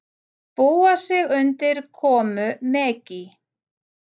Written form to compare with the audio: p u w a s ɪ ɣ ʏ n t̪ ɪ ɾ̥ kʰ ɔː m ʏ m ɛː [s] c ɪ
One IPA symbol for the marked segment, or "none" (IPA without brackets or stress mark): none